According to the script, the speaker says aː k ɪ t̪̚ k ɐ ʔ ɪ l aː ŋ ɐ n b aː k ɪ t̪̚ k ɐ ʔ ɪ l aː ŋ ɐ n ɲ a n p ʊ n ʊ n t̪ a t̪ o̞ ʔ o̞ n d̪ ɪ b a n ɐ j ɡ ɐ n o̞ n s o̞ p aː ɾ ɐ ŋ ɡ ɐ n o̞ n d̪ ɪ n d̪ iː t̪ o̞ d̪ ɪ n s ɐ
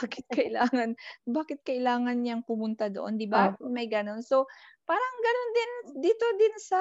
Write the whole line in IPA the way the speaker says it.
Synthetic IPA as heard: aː k ɪ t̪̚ k ɐ ʔ ɪ l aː ŋ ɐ n b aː k ɪ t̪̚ k ɐ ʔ ɪ l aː ŋ ɐ n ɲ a ŋ p ʊ m ʊ n t̪ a d̪ o̞ ʔ o̞ n d̪ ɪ b a m ɐ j ɡ ɐ n o̞ n s o̞ p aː ɾ ɐ ŋ ɡ ɐ n o̞ n d̪ ɪ n d̪ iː t̪ o̞ d̪ ɪ n s ɐ